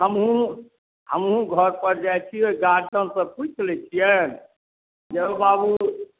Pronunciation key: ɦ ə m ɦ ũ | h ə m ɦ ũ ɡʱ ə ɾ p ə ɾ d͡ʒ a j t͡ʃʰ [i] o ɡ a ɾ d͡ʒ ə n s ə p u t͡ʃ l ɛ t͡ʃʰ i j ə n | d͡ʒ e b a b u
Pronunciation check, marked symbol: correct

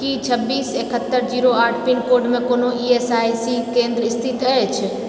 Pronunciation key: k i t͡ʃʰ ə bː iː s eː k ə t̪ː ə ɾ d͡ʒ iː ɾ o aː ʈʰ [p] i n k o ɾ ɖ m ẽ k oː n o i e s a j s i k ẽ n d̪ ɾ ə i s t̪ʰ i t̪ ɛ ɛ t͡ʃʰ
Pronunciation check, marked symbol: correct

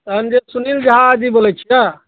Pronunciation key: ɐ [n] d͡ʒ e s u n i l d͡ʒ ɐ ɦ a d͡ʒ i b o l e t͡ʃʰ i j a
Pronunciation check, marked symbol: correct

